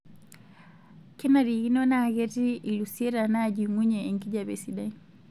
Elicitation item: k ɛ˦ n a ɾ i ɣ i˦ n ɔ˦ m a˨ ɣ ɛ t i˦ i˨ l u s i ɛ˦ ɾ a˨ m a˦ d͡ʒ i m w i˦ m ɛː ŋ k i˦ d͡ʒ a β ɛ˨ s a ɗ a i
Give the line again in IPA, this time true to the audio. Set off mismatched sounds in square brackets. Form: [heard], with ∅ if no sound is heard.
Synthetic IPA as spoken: k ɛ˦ n a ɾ i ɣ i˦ n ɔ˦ [n] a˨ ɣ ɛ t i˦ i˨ l u s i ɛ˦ ɾ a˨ [n] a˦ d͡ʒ i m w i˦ [ɲ] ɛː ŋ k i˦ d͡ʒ a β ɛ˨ s [i] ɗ a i